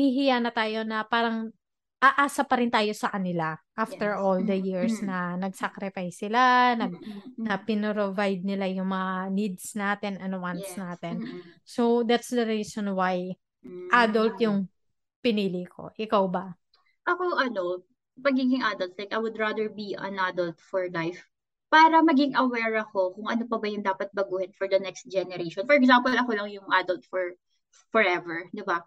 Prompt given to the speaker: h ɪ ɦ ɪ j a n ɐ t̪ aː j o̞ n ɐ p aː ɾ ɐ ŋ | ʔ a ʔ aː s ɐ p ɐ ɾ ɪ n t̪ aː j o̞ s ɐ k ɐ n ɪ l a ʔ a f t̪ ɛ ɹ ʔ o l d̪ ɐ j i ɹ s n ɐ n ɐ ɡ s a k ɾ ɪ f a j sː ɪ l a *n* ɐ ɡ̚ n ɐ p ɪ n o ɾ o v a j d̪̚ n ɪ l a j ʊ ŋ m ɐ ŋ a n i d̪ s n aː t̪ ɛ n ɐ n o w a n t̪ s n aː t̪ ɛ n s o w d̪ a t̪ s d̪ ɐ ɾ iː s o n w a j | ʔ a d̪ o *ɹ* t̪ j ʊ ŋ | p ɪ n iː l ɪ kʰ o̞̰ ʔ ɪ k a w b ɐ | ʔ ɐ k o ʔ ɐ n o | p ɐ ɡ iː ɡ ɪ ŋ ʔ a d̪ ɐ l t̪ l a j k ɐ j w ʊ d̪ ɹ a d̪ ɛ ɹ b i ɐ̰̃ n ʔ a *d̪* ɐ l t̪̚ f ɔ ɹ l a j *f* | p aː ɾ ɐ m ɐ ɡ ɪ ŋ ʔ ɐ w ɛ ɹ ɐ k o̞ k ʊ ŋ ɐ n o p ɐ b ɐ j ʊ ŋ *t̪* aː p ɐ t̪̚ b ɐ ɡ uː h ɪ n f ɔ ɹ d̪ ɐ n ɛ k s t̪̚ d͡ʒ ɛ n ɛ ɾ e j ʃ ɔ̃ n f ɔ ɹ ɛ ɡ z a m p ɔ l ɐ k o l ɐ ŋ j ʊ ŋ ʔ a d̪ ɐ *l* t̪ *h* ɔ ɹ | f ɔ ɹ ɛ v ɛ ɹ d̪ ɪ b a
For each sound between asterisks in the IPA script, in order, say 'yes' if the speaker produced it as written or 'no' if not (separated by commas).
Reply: yes, no, yes, yes, no, yes, no